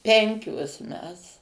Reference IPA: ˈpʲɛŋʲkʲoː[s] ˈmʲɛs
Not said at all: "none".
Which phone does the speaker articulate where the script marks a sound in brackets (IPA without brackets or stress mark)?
s